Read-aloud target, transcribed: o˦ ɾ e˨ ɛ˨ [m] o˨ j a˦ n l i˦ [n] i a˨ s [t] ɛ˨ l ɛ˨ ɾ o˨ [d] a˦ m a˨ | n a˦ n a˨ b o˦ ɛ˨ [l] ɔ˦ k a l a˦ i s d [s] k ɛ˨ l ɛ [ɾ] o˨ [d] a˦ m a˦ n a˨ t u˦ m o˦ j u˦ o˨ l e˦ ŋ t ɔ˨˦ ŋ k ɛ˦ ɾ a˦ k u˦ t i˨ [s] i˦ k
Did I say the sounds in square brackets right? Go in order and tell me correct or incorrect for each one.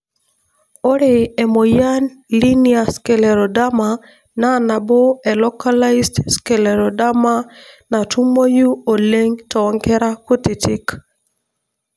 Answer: correct, correct, incorrect: k, correct, correct, correct, correct, correct, incorrect: t

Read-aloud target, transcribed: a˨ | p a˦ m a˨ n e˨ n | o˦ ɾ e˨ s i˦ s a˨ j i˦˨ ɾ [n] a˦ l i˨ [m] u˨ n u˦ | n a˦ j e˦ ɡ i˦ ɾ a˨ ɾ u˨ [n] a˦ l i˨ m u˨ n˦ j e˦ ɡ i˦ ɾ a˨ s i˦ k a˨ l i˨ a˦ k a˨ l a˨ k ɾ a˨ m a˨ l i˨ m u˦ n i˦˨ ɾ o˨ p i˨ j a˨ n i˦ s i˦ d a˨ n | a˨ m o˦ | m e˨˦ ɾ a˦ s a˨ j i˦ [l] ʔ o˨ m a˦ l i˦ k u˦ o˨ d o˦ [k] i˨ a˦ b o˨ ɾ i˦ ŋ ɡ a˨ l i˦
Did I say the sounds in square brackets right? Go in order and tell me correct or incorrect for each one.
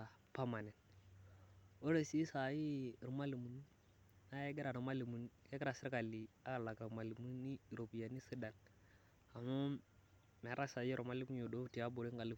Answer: incorrect: m, correct, incorrect: m, incorrect: ɾ, incorrect: t

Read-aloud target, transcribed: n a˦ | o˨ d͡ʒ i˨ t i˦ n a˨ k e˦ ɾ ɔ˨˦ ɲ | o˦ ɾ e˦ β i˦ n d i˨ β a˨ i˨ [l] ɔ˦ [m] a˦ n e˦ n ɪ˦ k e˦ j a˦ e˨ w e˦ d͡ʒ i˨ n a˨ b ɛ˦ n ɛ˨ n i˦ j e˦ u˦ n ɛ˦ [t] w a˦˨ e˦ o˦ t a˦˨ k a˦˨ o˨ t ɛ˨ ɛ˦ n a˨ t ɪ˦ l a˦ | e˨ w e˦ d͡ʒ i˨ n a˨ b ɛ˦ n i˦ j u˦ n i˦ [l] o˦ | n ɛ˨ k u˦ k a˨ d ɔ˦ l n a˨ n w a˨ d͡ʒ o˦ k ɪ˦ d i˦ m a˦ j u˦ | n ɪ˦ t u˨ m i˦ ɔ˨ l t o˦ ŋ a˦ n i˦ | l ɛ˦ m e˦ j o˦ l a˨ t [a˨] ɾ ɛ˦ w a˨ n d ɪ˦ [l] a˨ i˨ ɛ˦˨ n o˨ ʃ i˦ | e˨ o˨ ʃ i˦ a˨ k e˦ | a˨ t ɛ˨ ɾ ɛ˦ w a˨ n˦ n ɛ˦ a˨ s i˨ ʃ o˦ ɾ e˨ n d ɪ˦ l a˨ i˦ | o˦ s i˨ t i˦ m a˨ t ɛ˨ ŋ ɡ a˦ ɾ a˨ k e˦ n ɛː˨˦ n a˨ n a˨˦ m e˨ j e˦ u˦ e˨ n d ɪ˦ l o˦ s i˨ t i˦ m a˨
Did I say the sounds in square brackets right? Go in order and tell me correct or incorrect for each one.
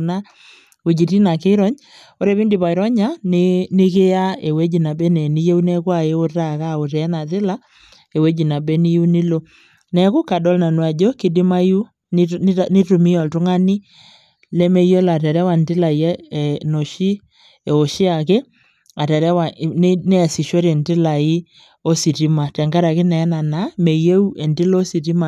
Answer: incorrect: ɾ, incorrect: ɲ, incorrect: k, correct, incorrect: ɛ˨, correct

